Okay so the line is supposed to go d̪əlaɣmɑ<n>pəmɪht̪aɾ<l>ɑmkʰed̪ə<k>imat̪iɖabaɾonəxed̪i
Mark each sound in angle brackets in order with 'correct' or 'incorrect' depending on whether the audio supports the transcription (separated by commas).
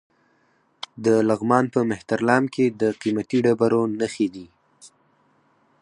correct, correct, incorrect